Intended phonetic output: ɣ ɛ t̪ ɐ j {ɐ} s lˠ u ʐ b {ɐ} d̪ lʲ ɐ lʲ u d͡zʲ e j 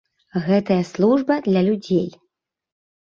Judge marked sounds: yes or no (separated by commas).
yes, yes